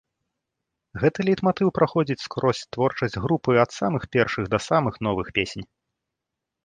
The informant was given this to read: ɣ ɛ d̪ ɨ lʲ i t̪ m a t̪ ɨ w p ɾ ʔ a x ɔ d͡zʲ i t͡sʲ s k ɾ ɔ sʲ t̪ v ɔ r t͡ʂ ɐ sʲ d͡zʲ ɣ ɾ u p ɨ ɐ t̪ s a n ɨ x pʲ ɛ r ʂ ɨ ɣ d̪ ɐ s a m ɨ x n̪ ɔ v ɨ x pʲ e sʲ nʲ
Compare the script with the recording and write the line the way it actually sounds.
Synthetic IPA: ɣ ɛ t̪ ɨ lʲ i t̪ m a t̪ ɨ w p ɾ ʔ a x ɔ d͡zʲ i t͡sʲ s k ɾ ɔ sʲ t̪ v ɔ r t͡ʂ ɐ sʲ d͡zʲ ɣ ɾ u p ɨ ɐ t̪ s a m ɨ x pʲ ɛ r ʂ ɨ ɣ d̪ ɐ s a m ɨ x n̪ ɔ v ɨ x pʲ e sʲ nʲ